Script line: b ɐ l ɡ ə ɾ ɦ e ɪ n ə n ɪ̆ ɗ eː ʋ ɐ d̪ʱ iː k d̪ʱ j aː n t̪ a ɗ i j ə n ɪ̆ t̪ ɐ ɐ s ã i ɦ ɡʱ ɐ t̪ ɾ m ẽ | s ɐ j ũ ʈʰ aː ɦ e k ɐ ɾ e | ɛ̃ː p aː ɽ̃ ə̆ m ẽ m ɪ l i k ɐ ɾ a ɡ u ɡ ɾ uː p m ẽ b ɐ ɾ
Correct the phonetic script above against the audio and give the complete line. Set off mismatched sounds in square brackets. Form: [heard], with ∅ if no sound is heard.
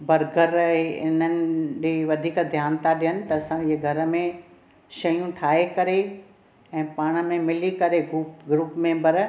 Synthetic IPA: b ɐ [ɾ] ɡ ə ɾ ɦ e ɪ n ə n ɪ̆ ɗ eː ʋ ɐ d̪ʱ iː k d̪ʱ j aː n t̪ a ɗ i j ə n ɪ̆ t̪ ɐ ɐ s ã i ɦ ɡʱ ɐ [∅] ɾ m ẽ | [ʃ] ɐ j ũ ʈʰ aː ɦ e k ɐ ɾ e | ɛ̃ː p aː ɽ̃ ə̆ m ẽ m ɪ l i k ɐ ɾ [e] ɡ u ɡ ɾ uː p m ẽ b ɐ ɾ